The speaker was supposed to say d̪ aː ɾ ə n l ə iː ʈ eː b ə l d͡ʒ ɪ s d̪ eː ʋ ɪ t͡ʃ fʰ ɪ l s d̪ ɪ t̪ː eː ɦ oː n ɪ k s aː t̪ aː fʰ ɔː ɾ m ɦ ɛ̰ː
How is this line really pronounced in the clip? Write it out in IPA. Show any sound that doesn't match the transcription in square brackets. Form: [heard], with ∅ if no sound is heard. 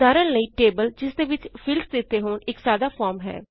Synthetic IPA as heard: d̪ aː ɾ ə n l ə iː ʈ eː b ə l d͡ʒ ɪ s d̪ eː ʋ ɪ t͡ʃ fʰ ɪ l s d̪ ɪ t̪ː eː ɦ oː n ɪ k s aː [d̪] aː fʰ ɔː ɾ m ɦ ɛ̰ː